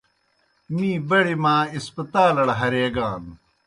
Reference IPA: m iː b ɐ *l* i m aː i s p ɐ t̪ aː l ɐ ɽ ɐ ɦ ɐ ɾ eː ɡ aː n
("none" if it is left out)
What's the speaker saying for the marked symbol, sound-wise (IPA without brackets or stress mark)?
ɽ